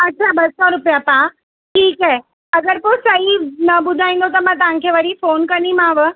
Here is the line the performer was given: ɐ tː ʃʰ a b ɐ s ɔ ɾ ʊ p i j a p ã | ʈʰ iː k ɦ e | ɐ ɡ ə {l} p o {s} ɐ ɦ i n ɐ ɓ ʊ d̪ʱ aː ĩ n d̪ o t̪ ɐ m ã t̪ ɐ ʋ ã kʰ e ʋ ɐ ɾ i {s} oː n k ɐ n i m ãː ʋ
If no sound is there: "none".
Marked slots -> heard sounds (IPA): ɾ, s, f

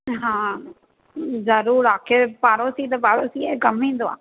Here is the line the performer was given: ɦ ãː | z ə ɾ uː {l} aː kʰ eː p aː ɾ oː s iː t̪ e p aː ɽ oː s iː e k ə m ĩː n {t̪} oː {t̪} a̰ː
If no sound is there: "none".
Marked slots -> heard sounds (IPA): ɾ, d̪, none

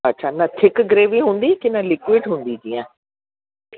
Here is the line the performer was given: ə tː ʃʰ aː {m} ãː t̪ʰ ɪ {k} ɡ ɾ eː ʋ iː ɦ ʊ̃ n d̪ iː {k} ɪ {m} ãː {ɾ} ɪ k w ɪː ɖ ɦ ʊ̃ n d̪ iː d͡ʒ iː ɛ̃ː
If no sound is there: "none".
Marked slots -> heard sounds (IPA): n, k, k, n, l

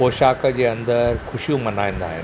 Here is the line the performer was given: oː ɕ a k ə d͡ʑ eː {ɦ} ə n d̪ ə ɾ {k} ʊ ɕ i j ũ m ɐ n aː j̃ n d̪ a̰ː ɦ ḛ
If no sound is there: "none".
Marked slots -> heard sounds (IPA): none, kʰ

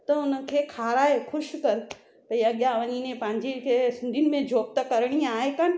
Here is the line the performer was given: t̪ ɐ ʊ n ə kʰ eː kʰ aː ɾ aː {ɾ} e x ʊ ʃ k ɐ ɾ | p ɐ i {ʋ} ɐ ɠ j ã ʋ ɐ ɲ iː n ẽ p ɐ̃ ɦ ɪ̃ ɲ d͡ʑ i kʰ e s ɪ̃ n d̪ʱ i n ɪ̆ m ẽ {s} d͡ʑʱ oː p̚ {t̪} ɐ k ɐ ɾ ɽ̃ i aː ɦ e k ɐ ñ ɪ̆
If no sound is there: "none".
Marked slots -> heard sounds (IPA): none, none, none, t̪

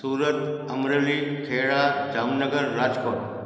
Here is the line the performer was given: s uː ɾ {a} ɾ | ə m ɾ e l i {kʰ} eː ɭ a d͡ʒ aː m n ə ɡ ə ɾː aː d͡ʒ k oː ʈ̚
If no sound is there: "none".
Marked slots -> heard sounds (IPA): ə, kʰ

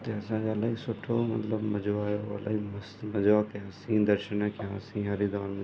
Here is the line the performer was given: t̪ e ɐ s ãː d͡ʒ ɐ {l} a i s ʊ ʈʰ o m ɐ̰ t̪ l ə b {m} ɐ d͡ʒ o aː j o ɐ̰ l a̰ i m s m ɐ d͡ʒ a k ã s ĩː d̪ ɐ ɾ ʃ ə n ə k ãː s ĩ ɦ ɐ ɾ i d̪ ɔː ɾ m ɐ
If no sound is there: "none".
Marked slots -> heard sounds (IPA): l, m

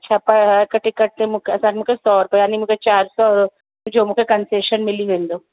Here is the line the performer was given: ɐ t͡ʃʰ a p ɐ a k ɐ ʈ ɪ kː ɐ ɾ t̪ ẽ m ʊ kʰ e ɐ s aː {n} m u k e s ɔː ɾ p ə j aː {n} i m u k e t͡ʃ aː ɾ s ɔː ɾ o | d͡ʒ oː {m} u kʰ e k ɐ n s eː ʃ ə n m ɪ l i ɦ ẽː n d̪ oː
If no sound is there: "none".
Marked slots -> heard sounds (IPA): n, n, m

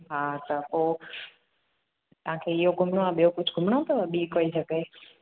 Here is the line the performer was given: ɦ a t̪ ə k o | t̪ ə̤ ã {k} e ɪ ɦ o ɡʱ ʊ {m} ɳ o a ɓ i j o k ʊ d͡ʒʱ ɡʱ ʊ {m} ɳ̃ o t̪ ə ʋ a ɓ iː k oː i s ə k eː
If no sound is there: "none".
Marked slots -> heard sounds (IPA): kʰ, m, m

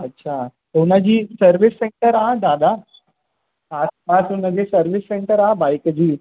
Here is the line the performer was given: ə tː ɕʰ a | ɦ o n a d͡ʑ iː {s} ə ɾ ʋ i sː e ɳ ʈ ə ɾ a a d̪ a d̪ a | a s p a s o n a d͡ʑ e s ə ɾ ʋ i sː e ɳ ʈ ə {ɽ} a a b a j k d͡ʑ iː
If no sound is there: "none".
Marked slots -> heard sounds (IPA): s, ɾ

